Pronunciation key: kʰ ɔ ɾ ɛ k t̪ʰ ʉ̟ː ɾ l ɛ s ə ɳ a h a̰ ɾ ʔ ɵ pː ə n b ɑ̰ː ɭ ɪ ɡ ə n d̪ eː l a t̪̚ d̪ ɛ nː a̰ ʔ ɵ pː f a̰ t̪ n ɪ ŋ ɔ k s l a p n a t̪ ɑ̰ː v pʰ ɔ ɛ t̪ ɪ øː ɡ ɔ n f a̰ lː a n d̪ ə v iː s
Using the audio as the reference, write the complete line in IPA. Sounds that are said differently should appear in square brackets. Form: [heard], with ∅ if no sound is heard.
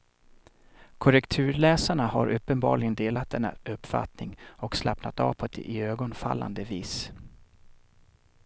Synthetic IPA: kʰ ɔ ɾ ɛ k t̪ʰ ʉ̟ː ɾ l [ɛː] s [a] ɳ a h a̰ ɾ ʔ ɵ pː ə n b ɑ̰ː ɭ ɪ ɡ ə n d̪ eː l a t̪̚ d̪ ɛ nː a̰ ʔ ɵ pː f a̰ t̪ n ɪ ŋ ɔ k s l a p n a t̪ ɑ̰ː v pʰ ɔ ɛ t̪ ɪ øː ɡ ɔ n f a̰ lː a n d̪ ə v iː s

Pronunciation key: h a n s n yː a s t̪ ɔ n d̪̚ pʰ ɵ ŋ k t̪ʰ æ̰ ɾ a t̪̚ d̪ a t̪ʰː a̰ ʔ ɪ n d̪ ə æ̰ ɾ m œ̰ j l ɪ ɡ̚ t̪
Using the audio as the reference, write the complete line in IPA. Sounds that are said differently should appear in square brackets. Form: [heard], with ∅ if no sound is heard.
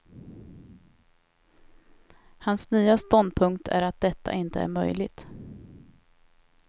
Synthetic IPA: h a n s n yː a s t̪ ɔ n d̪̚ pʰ ɵ ŋ k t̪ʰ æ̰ ɾ a t̪̚ d̪ [ɛ] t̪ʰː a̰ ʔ ɪ n [t̪] ə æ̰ ɾ m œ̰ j l ɪ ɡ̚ t̪

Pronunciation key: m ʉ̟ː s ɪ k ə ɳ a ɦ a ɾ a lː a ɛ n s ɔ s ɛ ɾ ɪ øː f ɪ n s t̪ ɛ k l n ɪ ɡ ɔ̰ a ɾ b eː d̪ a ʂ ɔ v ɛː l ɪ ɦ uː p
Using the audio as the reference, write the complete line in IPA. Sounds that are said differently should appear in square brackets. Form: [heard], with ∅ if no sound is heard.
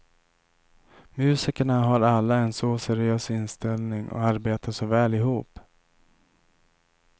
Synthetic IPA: m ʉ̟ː s ɪ k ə ɳ a ɦ a ɾ a lː a ɛ n s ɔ s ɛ ɾ ɪ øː [s] ɪ n s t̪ ɛ [∅] l n ɪ [ŋ] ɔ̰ a ɾ b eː [t̪] a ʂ ɔ v ɛː l ɪ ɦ uː p

